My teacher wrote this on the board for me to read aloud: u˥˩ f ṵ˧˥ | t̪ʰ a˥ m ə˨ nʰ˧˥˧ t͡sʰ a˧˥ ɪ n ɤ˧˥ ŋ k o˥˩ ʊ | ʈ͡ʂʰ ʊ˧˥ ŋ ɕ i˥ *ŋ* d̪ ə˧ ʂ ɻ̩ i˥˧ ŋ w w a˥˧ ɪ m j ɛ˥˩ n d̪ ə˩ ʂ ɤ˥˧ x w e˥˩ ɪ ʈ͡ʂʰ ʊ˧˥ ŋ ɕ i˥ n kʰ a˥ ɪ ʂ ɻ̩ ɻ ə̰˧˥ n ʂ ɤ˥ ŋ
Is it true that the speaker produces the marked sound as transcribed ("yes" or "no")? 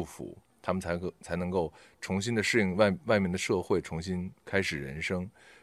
no